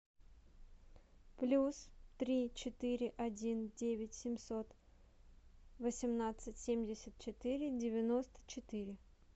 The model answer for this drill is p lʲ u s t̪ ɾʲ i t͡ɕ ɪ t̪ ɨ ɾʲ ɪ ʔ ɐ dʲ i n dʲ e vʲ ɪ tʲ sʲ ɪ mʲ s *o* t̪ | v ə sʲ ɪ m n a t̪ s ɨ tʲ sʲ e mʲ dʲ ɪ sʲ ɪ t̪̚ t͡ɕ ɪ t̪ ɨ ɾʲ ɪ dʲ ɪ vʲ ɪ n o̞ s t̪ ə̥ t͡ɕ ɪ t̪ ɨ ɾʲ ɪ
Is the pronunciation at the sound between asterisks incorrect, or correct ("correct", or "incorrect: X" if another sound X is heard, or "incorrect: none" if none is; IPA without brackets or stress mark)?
correct